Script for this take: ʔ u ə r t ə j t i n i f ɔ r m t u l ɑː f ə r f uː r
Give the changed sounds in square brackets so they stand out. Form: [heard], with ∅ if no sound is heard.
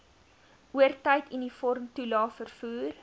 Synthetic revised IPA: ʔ u ə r t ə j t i n i f ɔ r m t u l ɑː f ə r f uː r

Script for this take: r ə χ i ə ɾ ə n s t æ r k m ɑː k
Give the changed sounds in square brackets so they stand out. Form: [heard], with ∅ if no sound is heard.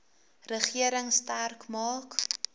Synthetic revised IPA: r ə χ i ə ɾ ə [ŋ] s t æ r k m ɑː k

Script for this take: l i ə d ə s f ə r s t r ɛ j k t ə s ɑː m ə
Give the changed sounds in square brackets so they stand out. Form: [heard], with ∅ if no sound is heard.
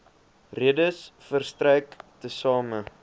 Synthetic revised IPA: [r] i ə d ə s f ə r s t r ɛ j k t ə s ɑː m ə

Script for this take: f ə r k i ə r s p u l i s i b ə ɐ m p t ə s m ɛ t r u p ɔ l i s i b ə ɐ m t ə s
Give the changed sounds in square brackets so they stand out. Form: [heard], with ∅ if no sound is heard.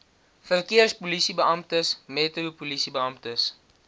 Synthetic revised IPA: f ə r k i ə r s p u l i s i b ə ɐ m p t ə s m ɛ t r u p [u] l i s i b ə ɐ m t ə s

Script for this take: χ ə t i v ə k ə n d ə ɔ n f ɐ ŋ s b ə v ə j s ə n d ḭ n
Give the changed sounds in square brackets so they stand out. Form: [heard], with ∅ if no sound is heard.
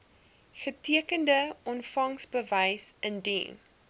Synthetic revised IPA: χ ə t i [∅] ə k ə n d ə ɔ n f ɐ ŋ s b ə v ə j s ə n d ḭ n

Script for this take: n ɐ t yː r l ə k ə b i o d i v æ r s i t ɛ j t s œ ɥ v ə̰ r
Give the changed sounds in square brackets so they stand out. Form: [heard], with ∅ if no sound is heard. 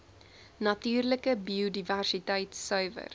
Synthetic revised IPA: n ɐ t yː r l ə k ə b i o d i v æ r s i t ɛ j t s œ ɥ v ə̰ r

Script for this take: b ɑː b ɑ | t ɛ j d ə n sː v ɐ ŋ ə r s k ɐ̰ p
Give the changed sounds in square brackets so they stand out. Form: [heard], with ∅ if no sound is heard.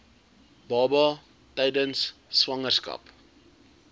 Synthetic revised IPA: b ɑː b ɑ | t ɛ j d ə n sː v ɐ ŋ ə r s k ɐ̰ p

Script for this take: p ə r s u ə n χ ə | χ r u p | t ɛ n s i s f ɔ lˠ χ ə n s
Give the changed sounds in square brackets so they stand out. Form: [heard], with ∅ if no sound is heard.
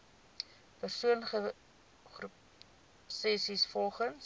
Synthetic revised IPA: p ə r s u ə n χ ə | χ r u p | [s] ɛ [∅] s i s f ɔ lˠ χ ə n s

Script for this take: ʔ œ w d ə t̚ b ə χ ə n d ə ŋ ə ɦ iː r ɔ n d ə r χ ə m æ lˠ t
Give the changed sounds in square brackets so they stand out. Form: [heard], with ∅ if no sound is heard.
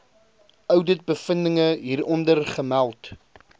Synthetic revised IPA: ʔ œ w d ə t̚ b ə [f] ə n d ə ŋ ə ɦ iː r ɔ n d ə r χ ə m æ lˠ t

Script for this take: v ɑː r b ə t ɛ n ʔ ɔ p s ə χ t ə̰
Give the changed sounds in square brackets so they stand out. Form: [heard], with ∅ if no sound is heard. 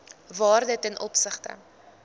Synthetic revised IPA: v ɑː r [d] ə t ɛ n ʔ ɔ p s ə χ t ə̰

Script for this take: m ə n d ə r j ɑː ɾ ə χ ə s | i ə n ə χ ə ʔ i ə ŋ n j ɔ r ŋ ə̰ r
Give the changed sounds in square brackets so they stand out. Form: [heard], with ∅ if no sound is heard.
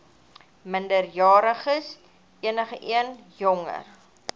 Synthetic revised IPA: m ə n d ə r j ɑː ɾ ə χ ə s | i ə n ə χ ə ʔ i ə [∅] n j ɔ [∅] ŋ ə̰ r

